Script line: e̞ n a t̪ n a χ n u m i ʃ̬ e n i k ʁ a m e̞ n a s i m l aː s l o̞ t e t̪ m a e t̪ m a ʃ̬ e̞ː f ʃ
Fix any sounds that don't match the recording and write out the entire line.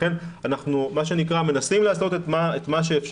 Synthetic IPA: e̞ n a n a χ n u m a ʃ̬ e n i k ʁ a m e̞ n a s i m l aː s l o̞ t e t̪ m a e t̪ m a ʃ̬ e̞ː f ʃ